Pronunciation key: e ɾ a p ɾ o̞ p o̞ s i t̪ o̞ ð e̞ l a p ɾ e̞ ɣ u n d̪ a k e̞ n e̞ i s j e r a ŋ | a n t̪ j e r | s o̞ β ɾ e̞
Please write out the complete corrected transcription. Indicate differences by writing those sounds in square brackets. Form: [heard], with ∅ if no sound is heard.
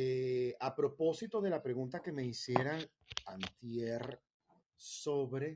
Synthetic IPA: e [∅] a p ɾ o̞ p o̞ s i t̪ o̞ ð e̞ l a p ɾ e̞ ɣ u n [t̪] a k e̞ [m] e̞ i s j e [ɾ] a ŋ | a n t̪ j e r | s o̞ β ɾ e̞